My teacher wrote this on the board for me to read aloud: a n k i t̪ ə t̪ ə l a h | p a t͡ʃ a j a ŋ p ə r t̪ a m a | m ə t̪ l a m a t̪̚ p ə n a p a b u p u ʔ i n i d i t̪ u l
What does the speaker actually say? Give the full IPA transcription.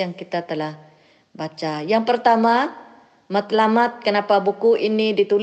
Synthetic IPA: a ŋ k i t̪ a t̪ ə l a h | b a t͡ʃ a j a ŋ p ə r t̪ a m a | m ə t̪ l a m a t̪̚ k ə n a p a b u k u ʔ i n i d i t̪ u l